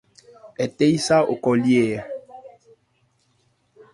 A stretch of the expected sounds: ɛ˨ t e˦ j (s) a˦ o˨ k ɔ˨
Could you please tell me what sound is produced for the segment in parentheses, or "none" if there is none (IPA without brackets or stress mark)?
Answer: s